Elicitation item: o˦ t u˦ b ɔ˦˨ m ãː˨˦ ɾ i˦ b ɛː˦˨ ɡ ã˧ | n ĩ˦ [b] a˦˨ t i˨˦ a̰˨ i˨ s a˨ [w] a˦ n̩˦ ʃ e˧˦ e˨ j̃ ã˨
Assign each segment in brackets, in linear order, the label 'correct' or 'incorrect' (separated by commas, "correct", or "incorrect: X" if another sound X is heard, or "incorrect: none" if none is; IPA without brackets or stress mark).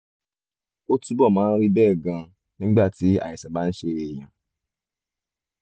incorrect: ɡ͡b, incorrect: b